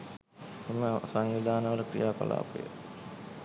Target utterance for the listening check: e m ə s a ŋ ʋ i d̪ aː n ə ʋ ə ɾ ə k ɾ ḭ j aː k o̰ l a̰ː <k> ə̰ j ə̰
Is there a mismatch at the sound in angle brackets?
yes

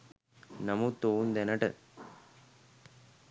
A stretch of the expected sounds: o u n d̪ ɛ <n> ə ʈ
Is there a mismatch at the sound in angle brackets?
no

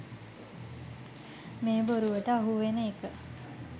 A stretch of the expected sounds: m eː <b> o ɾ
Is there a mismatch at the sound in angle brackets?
no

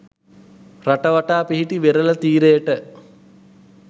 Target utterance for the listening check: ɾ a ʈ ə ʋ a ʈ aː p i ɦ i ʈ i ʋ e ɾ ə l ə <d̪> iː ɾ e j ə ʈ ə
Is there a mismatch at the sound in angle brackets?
yes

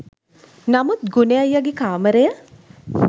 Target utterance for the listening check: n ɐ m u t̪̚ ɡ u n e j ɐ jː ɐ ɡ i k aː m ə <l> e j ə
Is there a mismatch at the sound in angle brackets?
yes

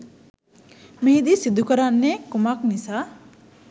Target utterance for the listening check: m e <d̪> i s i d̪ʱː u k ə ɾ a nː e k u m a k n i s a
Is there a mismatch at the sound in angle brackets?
no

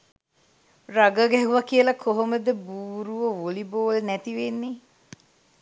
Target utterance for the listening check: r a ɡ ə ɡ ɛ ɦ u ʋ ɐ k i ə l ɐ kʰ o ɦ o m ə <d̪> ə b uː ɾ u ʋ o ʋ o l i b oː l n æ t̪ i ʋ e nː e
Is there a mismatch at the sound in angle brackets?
no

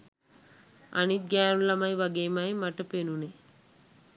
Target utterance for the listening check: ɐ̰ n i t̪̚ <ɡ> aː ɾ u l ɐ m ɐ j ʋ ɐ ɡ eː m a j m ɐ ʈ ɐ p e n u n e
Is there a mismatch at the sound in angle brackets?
no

